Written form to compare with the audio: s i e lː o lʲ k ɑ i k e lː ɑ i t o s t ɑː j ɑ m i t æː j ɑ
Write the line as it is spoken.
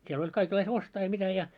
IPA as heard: s i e l o lʲ k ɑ i k e lː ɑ i s o s t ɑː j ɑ m i t æ j ɑ